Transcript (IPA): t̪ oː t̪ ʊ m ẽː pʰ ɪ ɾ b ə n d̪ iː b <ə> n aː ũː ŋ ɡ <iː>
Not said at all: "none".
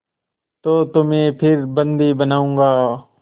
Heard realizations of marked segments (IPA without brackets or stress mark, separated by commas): ə, aː